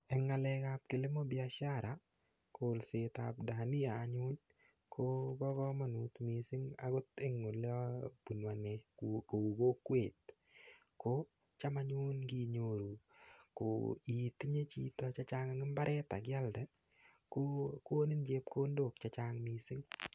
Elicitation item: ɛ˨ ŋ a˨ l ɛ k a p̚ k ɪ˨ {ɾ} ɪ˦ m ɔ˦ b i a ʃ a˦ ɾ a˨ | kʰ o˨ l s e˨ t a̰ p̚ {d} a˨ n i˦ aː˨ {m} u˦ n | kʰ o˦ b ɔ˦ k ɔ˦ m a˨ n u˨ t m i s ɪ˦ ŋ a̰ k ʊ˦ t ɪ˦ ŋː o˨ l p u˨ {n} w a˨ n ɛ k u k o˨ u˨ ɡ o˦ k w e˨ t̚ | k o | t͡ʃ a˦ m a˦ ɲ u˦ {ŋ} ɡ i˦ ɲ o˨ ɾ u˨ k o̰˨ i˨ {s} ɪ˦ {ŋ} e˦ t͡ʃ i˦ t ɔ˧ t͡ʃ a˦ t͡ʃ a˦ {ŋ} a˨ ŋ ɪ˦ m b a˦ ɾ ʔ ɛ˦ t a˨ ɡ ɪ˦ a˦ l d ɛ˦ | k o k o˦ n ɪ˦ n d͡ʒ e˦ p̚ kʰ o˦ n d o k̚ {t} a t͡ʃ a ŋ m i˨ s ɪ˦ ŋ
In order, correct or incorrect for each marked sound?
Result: incorrect, correct, incorrect, correct, incorrect, incorrect, incorrect, correct, incorrect

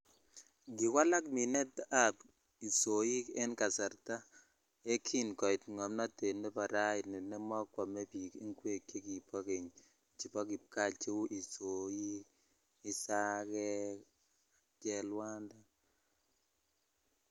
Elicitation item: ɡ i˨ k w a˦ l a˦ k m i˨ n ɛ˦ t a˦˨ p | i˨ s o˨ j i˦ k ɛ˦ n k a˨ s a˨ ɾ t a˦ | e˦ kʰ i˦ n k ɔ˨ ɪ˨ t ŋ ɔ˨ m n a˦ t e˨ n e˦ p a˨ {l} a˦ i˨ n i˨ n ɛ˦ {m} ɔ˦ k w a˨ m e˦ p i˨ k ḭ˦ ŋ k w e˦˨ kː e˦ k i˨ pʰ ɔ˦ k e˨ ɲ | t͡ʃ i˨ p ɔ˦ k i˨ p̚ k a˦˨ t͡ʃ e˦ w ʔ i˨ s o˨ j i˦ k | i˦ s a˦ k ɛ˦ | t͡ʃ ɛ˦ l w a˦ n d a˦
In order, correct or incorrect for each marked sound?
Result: incorrect, correct

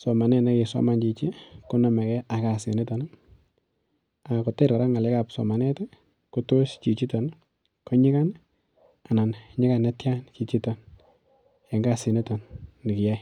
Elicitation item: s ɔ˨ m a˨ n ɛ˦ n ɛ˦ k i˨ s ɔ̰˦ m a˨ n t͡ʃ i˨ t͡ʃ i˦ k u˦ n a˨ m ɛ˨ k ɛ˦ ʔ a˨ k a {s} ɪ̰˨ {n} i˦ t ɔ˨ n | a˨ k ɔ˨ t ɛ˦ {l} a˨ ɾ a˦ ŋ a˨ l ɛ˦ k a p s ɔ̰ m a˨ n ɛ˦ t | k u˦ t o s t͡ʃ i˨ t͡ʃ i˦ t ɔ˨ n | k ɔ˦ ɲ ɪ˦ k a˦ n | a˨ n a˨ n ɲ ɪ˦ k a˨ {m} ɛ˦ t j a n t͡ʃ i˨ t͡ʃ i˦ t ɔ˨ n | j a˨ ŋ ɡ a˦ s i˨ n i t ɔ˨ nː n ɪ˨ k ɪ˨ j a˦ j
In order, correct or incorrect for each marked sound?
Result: correct, correct, incorrect, incorrect

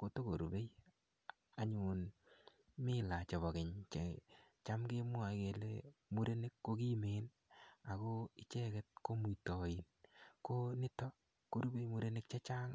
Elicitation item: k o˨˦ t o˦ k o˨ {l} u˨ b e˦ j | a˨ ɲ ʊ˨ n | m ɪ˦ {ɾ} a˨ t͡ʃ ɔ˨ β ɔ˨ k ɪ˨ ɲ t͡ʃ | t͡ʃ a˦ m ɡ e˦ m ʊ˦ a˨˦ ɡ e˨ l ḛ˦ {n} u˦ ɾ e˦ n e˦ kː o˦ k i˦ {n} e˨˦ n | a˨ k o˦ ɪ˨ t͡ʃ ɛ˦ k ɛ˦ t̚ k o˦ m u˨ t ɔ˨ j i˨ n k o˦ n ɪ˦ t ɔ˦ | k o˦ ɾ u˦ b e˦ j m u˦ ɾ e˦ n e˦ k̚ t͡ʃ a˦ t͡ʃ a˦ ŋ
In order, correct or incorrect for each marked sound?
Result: incorrect, incorrect, incorrect, incorrect

